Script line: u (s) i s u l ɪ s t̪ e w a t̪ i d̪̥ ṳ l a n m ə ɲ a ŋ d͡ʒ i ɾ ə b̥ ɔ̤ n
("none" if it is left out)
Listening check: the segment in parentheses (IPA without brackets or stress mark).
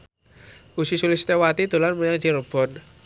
s